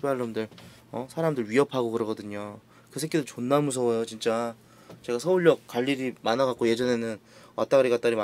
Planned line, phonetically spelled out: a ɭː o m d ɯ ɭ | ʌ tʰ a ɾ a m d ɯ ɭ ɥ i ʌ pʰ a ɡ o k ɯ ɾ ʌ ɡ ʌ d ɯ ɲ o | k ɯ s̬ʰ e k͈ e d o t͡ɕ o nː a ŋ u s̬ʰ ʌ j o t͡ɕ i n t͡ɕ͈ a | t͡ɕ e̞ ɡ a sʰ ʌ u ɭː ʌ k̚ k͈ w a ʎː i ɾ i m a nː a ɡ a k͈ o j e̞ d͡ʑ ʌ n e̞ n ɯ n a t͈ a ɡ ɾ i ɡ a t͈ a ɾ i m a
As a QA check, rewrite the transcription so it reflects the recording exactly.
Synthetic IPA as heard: a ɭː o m d ɯ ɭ | ʌ sʰ a ɾ a m d ɯ ɭ ɥ i ʌ pʰ a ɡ o k ɯ ɾ ʌ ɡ ʌ d ɯ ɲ o | k ɯ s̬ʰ e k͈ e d o t͡ɕ o nː a m u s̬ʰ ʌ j o t͡ɕ i n t͡ɕ͈ a | t͡ɕ e̞ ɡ a sʰ ʌ u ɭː ʌ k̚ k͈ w a ʎː i ɾ i m a n a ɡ a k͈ o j e̞ d͡ʑ ʌ n e̞ n ɯ n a t͈ a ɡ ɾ i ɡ a t͈ a ɾ i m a